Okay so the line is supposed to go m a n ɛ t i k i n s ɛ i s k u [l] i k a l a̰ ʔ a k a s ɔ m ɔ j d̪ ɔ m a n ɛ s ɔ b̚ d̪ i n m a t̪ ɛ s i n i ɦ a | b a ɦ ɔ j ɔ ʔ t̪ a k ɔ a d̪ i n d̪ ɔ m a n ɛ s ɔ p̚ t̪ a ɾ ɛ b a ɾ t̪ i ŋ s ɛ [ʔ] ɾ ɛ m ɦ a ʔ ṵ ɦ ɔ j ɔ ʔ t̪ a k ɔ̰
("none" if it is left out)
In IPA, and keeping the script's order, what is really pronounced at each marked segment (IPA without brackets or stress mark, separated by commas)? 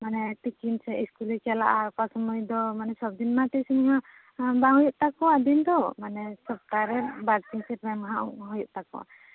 l, p